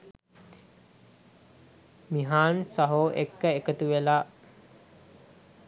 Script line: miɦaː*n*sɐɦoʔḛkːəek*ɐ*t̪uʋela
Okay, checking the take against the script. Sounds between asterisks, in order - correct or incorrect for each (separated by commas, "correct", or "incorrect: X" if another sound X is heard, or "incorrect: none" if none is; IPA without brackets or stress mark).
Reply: correct, incorrect: ə